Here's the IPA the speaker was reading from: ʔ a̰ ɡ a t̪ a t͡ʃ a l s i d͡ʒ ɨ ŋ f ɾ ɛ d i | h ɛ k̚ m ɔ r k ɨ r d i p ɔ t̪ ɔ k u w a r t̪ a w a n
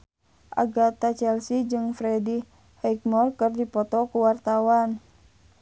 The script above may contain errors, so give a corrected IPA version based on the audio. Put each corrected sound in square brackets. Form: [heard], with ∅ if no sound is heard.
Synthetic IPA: ʔ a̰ ɡ a t̪ a t͡ʃ [ɛ] l s i d͡ʒ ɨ ŋ f ɾ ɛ d i | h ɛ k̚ m ɔ r k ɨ r d i p ɔ t̪ ɔ k u w a r t̪ a w a n